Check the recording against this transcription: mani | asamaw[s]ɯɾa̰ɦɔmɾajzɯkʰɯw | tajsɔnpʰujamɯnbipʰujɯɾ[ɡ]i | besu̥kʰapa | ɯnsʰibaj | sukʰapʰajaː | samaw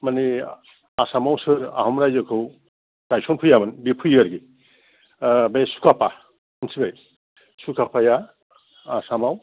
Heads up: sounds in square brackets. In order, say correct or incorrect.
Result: correct, correct

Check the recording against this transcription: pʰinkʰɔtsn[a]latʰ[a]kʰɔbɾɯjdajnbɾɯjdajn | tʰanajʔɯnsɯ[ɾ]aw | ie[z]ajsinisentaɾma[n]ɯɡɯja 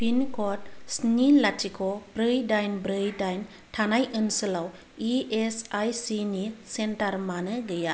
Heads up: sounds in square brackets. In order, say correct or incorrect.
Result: incorrect: i, incorrect: i, incorrect: l, incorrect: s, correct

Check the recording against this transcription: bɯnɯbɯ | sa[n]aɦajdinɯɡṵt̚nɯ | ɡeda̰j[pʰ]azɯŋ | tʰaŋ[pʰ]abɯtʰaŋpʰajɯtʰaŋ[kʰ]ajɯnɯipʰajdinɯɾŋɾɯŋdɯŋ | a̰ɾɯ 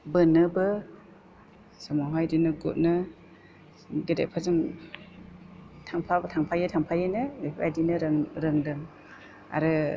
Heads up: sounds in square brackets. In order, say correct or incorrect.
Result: incorrect: m, correct, correct, incorrect: pʰ

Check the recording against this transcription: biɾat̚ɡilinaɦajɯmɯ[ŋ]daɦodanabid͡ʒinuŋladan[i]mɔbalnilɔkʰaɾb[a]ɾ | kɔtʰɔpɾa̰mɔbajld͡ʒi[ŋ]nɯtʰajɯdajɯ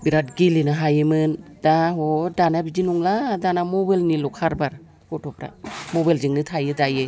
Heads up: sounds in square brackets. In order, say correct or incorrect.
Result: incorrect: n, incorrect: a, correct, correct

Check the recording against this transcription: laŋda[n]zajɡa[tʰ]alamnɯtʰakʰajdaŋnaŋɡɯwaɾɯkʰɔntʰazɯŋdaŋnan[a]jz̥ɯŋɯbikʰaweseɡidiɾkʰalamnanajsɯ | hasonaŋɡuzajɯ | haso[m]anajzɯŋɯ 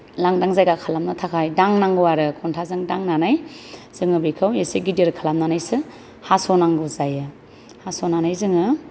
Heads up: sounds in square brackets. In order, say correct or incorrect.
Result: incorrect: ŋ, incorrect: kʰ, correct, incorrect: n

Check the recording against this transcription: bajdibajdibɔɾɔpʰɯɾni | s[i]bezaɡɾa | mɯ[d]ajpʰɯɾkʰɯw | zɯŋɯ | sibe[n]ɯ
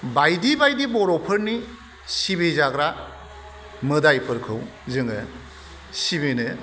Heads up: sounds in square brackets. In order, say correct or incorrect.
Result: correct, correct, correct

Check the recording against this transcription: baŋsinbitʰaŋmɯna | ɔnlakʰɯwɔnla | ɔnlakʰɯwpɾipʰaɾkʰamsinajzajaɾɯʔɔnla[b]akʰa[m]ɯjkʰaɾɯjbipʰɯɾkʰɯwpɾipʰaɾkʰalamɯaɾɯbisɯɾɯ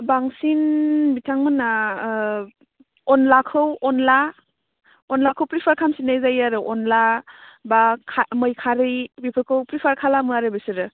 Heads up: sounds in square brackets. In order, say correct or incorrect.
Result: correct, correct

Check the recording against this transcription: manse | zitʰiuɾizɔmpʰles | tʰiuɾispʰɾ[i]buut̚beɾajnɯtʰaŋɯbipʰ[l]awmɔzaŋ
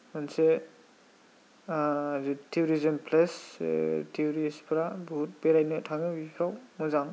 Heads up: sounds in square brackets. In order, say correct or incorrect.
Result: incorrect: a, incorrect: ɾ

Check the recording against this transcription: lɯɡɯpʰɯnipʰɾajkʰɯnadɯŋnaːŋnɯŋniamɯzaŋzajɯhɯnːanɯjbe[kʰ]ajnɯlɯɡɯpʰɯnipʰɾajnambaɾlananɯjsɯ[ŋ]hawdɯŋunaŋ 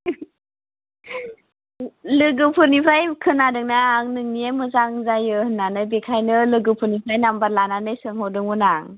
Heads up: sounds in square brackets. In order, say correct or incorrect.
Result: correct, correct

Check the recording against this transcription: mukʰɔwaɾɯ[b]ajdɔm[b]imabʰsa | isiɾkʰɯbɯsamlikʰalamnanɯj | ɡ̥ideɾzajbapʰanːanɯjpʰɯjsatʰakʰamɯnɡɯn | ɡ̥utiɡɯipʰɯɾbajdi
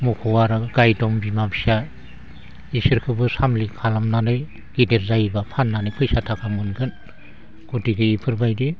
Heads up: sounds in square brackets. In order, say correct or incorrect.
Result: incorrect: ɡ, correct

